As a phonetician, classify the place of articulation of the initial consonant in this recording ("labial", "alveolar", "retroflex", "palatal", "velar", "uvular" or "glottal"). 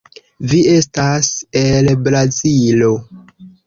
labial